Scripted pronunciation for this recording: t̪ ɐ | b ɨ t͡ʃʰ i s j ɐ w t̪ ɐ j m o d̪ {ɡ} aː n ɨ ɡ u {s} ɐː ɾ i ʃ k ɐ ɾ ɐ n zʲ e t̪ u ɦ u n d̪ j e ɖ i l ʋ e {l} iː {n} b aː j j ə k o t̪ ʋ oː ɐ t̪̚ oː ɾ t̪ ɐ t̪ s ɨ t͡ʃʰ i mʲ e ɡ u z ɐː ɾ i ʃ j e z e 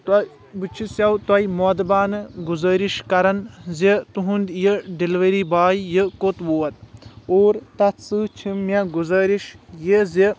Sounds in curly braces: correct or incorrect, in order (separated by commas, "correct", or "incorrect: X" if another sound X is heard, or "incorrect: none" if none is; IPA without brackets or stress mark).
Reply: incorrect: b, incorrect: z, incorrect: ɾ, incorrect: none